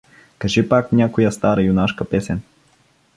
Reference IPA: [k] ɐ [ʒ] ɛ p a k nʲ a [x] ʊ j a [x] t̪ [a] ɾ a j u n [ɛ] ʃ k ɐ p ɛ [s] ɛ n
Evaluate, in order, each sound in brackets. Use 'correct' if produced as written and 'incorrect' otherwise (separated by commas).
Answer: correct, correct, incorrect, incorrect, correct, incorrect, correct